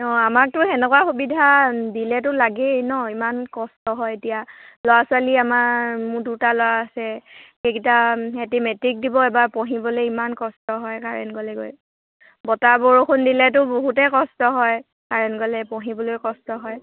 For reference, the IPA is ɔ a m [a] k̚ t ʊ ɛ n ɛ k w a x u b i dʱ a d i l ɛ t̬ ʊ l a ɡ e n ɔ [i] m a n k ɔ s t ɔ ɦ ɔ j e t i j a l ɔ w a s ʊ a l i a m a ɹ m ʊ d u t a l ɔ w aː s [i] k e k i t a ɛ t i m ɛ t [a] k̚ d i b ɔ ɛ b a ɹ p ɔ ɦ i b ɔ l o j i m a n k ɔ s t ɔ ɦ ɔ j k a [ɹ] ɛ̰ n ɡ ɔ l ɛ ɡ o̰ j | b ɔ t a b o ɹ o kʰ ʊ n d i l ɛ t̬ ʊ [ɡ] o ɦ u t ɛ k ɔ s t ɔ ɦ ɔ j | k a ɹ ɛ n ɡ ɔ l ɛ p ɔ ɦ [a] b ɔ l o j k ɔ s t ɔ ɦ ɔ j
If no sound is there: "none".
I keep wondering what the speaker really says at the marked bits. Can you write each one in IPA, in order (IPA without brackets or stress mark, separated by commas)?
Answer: a, i, ɛ, i, ɹ, b, i